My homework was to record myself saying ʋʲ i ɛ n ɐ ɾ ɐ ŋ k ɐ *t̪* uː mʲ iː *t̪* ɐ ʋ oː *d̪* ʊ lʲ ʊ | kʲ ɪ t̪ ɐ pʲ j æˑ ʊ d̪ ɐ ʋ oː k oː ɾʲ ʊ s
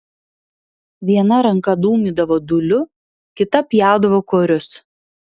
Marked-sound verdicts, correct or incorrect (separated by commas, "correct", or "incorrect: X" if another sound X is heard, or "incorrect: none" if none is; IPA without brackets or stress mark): incorrect: d̪, incorrect: d̪, correct